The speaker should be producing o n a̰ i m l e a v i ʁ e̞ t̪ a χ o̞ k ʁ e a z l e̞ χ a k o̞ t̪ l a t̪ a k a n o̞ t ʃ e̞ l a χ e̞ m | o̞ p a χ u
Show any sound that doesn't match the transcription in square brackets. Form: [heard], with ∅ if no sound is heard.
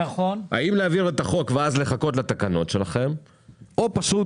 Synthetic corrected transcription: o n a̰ i m l e a v i ʁ e̞ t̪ a χ o̞ k [v] e a z l e̞ χ a k o̞ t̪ l a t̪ a k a n o̞ t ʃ e̞ l a χ e̞ m | o̞ p a [ʃ] u